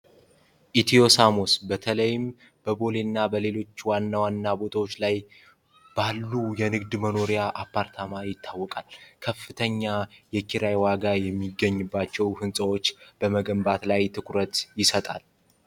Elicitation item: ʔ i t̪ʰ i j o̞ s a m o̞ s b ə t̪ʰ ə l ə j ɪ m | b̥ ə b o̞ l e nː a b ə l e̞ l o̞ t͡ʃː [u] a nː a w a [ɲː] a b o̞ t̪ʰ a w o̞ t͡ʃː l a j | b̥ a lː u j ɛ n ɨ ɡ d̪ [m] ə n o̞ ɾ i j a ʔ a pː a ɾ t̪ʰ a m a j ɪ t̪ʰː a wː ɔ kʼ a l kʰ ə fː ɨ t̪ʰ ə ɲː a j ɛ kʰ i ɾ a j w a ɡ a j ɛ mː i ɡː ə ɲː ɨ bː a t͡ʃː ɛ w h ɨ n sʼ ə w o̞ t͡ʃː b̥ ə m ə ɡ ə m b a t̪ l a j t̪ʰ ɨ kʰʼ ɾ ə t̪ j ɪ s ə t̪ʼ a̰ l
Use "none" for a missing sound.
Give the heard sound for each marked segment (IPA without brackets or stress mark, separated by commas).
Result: w, nː, m